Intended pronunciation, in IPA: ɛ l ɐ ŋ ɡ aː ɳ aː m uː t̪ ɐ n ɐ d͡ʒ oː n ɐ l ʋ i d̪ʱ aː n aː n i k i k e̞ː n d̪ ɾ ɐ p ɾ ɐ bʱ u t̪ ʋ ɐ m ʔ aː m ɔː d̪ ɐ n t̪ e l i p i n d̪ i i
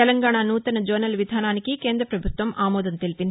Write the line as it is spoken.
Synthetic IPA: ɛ l ɐ ŋ ɡ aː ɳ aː n uː t̪ ɐ n ɐ d͡ʒ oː n ɐ l ʋ i d̪ʱ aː n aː n i k i k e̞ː n d̪ ɾ ɐ p ɾ ɐ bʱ u t̪ ʋ ɐ m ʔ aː m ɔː d̪ ɐ n t̪ e l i p i n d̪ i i